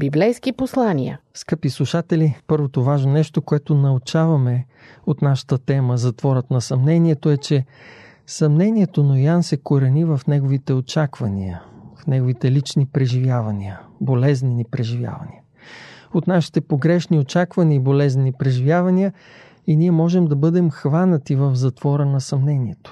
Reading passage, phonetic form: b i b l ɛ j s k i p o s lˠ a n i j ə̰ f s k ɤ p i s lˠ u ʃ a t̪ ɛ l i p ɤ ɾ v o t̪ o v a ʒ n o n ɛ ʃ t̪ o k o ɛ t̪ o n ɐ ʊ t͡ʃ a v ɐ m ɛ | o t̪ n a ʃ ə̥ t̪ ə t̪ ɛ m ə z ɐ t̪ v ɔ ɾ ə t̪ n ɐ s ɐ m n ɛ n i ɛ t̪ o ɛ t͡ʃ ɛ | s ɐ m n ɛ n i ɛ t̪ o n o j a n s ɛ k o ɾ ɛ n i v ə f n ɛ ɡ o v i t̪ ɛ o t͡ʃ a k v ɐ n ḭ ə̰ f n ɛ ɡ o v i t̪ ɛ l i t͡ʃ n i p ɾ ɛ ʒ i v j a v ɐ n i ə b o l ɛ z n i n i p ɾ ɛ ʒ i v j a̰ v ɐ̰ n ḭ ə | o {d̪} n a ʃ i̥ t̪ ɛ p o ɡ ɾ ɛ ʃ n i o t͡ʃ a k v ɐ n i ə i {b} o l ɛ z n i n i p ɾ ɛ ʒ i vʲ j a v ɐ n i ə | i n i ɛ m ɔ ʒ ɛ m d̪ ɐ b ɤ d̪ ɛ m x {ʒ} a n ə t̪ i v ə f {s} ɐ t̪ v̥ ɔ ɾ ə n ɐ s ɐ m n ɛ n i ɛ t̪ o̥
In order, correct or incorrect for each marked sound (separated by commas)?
incorrect, correct, incorrect, incorrect